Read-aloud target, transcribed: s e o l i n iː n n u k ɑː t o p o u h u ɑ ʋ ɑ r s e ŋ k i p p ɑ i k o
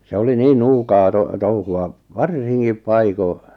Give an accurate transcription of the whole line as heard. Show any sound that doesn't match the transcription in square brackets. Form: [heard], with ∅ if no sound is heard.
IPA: s e o l i n iː n n [uː] k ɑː t o [t] o u h u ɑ ʋ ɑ r s [i] ŋ k i p p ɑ i k o